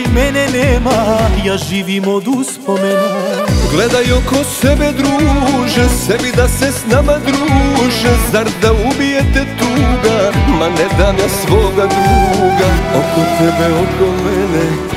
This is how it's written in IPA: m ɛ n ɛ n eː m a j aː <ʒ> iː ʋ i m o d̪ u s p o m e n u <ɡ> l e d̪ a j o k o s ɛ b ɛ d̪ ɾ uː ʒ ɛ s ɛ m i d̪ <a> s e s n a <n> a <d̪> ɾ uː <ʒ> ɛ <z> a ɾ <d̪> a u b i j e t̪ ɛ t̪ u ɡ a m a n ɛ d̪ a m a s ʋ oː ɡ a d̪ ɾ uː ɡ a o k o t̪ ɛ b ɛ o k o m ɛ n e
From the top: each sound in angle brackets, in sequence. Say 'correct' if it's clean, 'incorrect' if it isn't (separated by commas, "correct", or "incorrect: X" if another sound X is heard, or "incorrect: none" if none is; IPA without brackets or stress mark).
correct, correct, correct, incorrect: m, correct, correct, correct, correct